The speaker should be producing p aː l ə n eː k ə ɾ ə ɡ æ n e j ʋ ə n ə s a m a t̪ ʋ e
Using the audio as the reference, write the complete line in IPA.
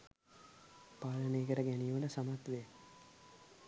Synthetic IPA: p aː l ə n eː k ə ɾ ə ɡ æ n i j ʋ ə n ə s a m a t̪ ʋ e